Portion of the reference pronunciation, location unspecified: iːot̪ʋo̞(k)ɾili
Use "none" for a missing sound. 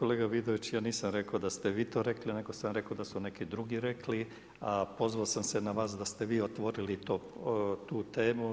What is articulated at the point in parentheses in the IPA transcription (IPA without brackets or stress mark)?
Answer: none